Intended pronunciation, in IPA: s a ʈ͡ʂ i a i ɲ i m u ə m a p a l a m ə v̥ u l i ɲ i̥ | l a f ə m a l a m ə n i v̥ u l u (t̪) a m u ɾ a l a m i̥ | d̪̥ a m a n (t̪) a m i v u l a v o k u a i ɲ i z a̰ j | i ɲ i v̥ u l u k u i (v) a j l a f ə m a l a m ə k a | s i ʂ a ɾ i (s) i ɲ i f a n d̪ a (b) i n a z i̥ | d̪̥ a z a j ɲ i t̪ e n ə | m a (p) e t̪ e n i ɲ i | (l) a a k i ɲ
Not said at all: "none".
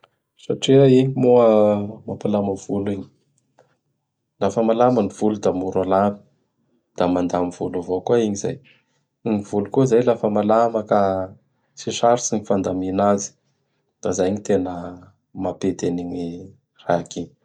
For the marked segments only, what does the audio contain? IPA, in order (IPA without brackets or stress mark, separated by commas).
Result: d̪, d̪, z, s, m, p, r